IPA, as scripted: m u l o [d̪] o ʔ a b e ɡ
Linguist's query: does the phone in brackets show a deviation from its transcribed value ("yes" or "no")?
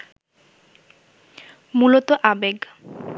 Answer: yes